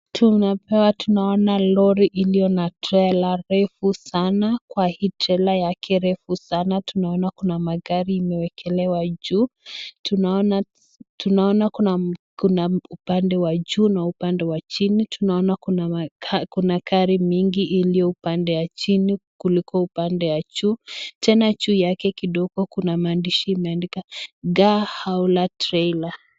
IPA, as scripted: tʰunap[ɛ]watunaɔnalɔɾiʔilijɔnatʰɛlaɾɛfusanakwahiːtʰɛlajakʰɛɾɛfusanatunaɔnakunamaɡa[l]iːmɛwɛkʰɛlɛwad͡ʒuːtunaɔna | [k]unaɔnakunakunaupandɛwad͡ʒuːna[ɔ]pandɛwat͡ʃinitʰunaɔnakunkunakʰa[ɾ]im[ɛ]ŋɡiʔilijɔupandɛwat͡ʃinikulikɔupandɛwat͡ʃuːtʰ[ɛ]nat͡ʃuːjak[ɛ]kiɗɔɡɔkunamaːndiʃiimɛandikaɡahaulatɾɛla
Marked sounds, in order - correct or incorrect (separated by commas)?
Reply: correct, incorrect, incorrect, incorrect, correct, incorrect, correct, correct